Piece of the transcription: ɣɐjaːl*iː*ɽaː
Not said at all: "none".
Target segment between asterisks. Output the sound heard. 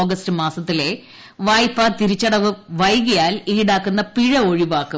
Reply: iː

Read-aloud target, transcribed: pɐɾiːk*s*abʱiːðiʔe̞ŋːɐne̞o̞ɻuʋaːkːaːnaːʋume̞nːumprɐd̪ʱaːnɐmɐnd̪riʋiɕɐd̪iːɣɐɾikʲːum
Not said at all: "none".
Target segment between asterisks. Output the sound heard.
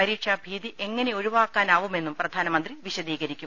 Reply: ʂ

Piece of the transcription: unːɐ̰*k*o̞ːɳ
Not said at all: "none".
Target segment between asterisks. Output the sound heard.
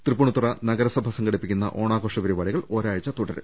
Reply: ʔ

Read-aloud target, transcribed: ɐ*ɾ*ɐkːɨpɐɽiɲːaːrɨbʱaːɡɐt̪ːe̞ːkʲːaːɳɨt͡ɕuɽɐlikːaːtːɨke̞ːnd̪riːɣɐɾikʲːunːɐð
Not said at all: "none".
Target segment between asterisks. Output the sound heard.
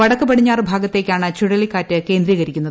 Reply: ɽ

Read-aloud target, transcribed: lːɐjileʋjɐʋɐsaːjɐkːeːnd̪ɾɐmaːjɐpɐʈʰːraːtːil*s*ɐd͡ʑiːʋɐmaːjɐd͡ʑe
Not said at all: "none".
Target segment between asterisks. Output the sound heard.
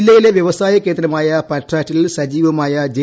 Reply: s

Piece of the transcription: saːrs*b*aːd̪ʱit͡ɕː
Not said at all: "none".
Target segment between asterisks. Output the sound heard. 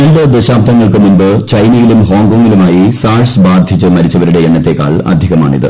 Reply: b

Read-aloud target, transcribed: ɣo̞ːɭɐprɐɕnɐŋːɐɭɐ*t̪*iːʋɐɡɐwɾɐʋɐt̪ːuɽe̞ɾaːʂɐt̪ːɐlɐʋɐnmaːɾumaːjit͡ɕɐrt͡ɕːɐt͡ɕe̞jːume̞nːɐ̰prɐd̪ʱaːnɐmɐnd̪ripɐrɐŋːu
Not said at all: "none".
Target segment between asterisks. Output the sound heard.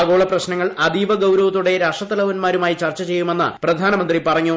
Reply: d̪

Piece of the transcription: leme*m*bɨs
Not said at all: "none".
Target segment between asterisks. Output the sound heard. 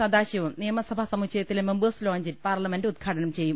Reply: m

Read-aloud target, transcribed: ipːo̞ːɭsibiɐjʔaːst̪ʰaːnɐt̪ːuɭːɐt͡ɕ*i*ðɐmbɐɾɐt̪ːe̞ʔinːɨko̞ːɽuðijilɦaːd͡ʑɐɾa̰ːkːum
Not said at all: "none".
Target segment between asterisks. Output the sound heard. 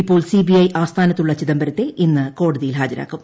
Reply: i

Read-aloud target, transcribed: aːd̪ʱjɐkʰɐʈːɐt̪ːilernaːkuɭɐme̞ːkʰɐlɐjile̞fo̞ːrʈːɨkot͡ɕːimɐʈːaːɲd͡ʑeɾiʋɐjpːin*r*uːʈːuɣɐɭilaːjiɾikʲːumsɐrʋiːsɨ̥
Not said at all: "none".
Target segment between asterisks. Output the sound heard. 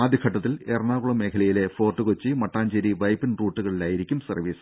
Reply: r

